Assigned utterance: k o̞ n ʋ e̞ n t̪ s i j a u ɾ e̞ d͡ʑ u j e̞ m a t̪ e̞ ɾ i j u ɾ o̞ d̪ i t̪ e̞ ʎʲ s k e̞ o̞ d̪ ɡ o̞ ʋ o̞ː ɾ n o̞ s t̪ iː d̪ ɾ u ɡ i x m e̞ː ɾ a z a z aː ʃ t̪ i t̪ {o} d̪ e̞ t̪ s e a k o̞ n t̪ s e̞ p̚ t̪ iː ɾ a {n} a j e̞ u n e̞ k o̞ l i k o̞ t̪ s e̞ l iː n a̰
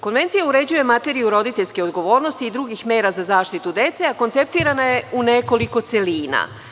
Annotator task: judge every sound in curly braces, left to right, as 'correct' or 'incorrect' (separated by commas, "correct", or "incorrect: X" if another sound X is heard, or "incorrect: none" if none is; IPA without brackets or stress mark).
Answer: incorrect: u, correct